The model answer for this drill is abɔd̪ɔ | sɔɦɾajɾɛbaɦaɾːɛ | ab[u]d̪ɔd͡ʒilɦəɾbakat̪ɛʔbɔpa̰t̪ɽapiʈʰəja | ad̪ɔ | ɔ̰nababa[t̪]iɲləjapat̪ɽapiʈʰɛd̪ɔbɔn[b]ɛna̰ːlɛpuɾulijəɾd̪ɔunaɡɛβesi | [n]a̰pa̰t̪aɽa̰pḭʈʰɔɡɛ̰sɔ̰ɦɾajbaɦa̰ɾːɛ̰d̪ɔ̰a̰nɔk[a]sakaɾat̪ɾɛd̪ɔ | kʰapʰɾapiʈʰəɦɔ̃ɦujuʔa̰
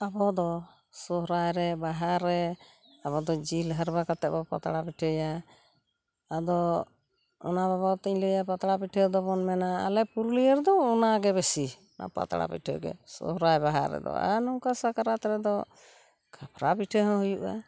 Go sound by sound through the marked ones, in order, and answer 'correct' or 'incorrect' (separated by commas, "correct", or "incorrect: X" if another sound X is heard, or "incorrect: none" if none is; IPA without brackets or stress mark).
incorrect: ɔ, correct, incorrect: m, correct, correct